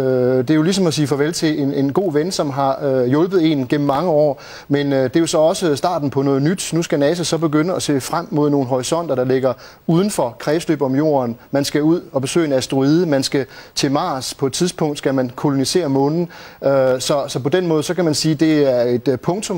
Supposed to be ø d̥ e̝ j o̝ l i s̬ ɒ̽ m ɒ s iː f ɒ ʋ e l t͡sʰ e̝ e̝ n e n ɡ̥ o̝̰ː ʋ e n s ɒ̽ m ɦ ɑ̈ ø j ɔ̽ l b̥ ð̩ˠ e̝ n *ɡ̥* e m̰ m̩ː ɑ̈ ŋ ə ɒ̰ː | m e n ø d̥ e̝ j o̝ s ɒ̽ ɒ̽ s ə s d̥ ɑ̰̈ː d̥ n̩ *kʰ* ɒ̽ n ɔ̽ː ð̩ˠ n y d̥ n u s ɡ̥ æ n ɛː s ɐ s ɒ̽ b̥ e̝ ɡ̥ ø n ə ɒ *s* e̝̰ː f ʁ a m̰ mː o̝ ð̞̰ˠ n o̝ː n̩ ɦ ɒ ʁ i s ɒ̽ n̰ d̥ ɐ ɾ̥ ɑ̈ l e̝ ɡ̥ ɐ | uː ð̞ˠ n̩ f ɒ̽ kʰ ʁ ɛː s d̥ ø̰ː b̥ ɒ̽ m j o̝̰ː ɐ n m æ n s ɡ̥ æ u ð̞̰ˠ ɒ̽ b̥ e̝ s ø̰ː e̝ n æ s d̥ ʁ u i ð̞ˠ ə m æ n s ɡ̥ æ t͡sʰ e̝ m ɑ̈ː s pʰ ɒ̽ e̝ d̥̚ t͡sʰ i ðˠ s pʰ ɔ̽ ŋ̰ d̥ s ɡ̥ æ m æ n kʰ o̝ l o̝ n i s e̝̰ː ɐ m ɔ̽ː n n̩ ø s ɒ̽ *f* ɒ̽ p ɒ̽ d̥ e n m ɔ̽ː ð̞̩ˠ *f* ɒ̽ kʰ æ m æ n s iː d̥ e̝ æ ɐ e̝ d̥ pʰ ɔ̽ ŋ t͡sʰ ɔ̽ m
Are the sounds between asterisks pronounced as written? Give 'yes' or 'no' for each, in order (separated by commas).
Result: yes, no, yes, no, no